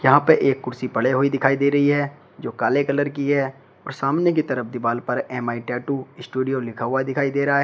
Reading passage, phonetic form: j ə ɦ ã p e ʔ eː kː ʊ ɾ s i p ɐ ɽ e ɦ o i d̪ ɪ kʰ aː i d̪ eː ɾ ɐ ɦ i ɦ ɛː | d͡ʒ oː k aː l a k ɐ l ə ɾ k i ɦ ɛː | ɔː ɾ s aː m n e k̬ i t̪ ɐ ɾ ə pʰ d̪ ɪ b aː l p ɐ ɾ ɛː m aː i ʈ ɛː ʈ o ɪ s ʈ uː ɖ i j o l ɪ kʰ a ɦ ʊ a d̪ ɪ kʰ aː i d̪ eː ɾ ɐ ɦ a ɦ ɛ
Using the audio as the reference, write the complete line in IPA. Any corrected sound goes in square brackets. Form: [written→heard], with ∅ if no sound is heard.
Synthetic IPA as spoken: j [ə→ɐ] ɦ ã p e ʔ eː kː ʊ ɾ s i p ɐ ɽ e ɦ o i d̪ ɪ kʰ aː i d̪ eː ɾ ɐ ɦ i ɦ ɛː | d͡ʒ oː k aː l [a→e] k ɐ l ə ɾ k i ɦ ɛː | ɔː ɾ s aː m n e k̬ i t̪ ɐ ɾ ə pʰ d̪ ɪ b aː l p ɐ ɾ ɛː m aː i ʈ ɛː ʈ [o→u] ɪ s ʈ uː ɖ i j o l ɪ kʰ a ɦ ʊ a d̪ ɪ kʰ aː i d̪ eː ɾ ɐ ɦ a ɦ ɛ